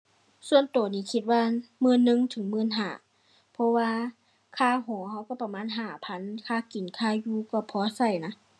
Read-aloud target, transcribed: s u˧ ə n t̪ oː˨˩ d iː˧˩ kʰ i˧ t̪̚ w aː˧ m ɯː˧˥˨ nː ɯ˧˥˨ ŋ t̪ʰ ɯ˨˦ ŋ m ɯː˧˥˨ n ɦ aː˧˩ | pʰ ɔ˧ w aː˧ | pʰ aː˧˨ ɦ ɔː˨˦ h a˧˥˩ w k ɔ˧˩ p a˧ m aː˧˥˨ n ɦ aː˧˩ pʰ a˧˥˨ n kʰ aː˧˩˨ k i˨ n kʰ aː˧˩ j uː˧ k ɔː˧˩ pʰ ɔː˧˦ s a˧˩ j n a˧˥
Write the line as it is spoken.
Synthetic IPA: s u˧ ə n t̪ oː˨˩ n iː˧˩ kʰ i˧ t̪̚ w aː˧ m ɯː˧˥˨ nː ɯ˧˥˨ ŋ t̪ʰ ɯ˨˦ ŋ m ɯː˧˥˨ n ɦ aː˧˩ | pʰ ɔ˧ w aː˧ | kʰ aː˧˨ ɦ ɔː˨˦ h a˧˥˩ w k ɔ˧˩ p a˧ m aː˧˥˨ n ɦ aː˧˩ pʰ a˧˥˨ n kʰ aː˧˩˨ k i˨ n kʰ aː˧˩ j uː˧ k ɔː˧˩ pʰ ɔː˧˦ s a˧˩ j n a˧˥